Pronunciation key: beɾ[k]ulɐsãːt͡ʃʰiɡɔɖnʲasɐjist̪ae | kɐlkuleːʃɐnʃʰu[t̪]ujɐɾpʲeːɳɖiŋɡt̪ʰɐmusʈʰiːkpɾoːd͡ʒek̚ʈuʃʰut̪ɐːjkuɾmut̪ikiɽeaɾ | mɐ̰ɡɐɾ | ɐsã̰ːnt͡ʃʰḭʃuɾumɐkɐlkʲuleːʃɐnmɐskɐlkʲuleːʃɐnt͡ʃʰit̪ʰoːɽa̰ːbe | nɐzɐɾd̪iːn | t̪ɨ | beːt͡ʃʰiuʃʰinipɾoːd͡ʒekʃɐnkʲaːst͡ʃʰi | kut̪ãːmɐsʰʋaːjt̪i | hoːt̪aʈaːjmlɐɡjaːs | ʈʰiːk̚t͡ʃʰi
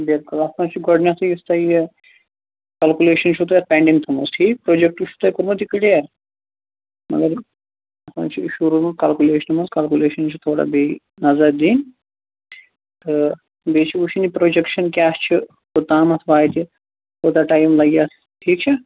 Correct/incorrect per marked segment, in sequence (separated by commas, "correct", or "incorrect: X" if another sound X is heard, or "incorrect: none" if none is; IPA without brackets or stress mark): correct, correct